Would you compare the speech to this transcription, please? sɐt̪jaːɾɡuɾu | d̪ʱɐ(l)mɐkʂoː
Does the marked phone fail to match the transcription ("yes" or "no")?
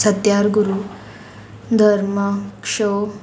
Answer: yes